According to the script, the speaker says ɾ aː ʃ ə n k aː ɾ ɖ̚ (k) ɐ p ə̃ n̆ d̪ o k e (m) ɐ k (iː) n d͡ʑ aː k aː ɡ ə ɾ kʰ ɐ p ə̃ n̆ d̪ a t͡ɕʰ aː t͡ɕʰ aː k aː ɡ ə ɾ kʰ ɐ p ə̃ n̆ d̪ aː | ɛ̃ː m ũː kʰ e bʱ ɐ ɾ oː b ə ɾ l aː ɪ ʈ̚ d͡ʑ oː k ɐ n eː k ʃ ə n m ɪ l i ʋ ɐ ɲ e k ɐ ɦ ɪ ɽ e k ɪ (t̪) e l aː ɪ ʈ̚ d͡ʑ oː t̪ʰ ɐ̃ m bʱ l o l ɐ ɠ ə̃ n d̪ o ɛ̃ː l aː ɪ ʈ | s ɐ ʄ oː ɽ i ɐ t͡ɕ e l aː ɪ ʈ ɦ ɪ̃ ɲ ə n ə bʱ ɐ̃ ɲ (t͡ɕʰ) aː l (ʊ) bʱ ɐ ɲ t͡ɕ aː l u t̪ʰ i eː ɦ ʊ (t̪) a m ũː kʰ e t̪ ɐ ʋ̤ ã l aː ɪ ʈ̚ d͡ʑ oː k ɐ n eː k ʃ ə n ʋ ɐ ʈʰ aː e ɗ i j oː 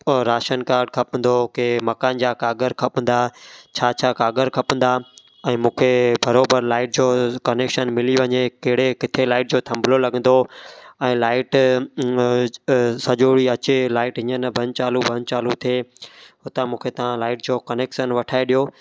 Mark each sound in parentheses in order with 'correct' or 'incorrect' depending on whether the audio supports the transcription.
incorrect: kʰ, correct, incorrect: aː, incorrect: t̪ʰ, incorrect: t͡ɕ, incorrect: u, correct

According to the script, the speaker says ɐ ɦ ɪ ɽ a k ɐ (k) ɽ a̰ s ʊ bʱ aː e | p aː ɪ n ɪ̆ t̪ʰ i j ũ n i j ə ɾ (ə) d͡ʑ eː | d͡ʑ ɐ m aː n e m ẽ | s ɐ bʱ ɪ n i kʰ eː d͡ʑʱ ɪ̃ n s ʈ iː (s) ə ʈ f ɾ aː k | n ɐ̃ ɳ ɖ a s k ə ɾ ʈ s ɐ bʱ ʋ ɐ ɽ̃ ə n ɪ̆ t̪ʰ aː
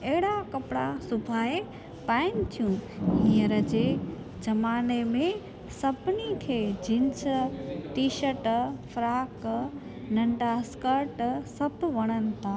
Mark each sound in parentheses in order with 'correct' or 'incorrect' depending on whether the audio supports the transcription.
incorrect: p, correct, incorrect: ʃ

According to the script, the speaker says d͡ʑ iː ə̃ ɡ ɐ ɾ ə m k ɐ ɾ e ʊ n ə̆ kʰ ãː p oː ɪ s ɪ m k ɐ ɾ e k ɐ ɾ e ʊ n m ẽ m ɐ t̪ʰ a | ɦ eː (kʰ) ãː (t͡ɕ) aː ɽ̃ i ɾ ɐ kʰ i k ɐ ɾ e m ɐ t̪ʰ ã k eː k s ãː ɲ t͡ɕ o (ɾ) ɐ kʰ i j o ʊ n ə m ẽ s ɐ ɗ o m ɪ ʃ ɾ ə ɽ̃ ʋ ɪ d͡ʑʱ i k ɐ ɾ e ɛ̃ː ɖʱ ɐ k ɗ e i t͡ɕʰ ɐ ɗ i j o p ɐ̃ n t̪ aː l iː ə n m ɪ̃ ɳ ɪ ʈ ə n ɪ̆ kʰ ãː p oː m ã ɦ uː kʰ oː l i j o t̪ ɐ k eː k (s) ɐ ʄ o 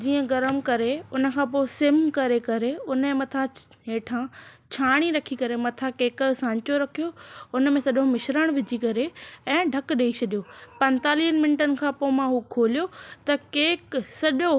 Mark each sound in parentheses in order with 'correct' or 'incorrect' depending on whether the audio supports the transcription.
incorrect: ʈʰ, incorrect: t͡ɕʰ, correct, correct

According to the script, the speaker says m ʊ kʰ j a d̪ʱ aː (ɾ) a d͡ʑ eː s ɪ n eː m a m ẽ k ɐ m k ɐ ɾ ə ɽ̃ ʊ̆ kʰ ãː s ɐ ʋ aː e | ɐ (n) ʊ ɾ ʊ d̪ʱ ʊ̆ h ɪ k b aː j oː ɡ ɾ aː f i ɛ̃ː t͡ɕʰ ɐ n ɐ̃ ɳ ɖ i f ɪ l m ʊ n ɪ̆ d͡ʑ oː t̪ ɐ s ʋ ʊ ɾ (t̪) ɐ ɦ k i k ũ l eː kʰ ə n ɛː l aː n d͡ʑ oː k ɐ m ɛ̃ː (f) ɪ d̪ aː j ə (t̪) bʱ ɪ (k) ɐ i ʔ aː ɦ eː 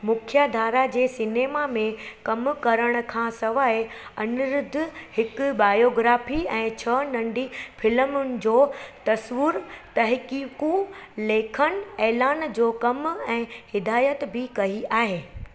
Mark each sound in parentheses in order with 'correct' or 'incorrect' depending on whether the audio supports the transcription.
correct, correct, correct, incorrect: h, correct, correct

